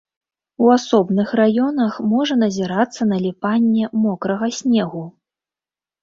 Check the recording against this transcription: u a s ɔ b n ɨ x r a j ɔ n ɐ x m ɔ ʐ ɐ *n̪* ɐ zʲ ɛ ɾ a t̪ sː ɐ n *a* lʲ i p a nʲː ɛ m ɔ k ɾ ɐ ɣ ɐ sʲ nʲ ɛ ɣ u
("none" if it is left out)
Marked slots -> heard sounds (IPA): n̪, ɐ

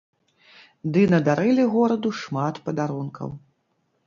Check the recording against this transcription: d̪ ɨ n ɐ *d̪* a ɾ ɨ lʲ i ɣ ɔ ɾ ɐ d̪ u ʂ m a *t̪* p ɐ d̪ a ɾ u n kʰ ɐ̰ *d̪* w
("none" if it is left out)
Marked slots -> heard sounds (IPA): d̪, t̪, none

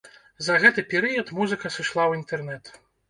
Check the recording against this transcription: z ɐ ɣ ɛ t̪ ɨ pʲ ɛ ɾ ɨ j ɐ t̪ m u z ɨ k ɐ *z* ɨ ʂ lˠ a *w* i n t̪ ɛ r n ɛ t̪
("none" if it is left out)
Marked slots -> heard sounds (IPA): s, w

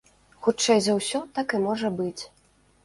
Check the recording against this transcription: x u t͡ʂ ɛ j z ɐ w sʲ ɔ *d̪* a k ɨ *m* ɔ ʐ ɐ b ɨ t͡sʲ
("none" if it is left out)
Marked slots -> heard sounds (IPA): t̪, m

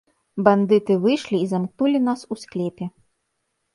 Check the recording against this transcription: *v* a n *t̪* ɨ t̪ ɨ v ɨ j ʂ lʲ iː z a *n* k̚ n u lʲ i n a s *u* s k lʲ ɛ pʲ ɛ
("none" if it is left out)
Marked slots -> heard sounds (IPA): b, d̪, m, u

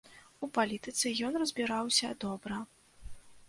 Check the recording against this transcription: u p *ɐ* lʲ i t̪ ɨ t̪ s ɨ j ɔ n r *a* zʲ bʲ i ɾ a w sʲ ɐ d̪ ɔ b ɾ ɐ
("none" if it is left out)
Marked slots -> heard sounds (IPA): a, ɐ

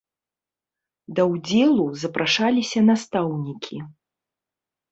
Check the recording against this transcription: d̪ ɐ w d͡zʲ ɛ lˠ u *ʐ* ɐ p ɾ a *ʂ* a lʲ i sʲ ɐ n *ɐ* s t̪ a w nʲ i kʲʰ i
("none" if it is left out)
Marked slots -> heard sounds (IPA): z, ʂ, a

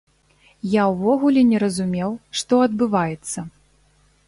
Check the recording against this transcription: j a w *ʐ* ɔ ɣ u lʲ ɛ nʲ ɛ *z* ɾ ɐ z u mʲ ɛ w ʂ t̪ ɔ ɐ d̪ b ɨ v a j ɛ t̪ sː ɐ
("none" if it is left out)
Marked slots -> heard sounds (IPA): v, none

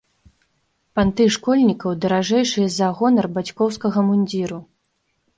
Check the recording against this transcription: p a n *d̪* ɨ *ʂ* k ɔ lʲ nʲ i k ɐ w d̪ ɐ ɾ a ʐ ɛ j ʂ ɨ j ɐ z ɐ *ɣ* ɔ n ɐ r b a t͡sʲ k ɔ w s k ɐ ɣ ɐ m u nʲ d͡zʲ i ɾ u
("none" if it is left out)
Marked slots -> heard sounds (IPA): t̪, ʂ, ɣ

